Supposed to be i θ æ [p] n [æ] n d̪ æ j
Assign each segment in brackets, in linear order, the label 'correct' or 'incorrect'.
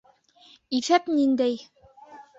correct, incorrect

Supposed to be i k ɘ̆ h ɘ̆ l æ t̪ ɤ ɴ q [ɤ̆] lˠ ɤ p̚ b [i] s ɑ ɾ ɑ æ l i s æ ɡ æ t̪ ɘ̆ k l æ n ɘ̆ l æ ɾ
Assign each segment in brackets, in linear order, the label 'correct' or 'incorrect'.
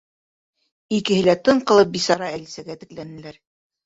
correct, correct

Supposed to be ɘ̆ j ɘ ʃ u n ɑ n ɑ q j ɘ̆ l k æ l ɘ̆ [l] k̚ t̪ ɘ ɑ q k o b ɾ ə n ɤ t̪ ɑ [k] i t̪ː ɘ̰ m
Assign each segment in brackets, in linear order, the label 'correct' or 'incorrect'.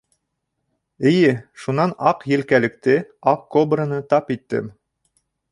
incorrect, incorrect

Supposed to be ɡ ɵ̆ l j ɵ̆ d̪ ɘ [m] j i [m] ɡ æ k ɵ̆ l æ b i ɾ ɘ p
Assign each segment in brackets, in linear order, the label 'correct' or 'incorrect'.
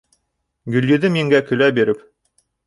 correct, incorrect

